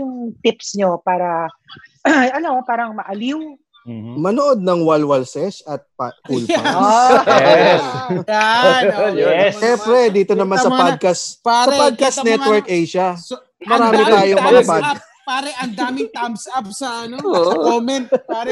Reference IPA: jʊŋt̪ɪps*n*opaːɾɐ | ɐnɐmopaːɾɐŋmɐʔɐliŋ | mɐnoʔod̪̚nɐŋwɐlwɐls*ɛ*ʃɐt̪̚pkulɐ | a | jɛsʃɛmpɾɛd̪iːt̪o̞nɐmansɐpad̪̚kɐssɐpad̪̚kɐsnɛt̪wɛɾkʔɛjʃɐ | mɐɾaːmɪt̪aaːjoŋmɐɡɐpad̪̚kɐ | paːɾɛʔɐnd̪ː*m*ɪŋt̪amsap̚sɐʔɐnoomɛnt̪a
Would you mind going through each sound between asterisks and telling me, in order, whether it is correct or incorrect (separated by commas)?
incorrect, correct, correct